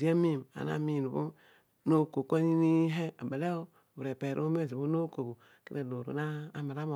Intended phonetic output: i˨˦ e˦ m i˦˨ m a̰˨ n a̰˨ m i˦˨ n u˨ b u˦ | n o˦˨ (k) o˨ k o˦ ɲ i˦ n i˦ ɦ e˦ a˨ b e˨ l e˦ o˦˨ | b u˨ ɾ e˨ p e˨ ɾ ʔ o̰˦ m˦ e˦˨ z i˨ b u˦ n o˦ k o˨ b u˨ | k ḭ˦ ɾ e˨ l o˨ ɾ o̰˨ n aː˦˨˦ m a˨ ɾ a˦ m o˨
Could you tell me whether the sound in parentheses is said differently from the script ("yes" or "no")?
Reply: no